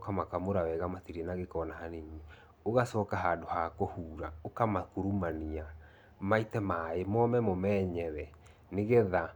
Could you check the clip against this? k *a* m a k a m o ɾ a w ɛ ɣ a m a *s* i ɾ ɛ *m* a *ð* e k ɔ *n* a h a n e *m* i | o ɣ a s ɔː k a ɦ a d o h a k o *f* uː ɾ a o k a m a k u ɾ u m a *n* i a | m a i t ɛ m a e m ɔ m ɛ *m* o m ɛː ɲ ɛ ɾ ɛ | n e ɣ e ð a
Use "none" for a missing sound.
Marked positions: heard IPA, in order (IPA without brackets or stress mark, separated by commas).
a, t, n, ɣ, n, ɲ, h, n, m